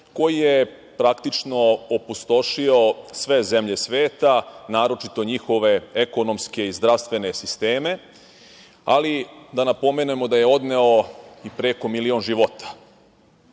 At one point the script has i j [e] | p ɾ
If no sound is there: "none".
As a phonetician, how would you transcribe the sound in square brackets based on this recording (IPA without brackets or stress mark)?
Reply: e